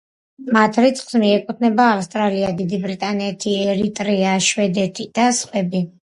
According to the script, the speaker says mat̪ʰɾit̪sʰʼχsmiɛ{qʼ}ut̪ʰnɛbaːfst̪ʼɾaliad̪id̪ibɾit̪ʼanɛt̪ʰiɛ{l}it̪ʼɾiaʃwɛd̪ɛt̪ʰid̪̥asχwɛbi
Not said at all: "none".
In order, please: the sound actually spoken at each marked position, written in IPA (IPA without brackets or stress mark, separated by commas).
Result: kʼ, ɾ